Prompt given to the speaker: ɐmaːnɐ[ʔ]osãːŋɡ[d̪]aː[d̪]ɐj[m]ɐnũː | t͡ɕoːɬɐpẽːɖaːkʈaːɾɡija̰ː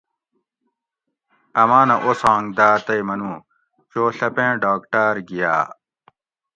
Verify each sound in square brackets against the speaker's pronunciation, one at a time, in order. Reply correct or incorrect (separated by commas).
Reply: correct, correct, incorrect, correct